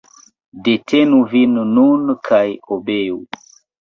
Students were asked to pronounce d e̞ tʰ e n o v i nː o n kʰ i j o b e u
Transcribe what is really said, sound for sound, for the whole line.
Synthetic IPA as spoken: d e̞ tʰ e n u v i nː u n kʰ a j o b e u